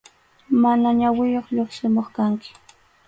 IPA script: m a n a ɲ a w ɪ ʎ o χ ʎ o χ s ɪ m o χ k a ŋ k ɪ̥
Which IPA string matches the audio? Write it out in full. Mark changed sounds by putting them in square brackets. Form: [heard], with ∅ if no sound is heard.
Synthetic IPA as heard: m a n a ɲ a w ɪ [j] o χ ʎ o χ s ɪ m o χ k a ŋ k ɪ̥